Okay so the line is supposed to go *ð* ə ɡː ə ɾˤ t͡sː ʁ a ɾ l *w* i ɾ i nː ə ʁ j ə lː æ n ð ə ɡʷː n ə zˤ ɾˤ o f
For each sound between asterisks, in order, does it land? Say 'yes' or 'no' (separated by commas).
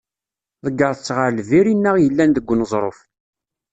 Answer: yes, no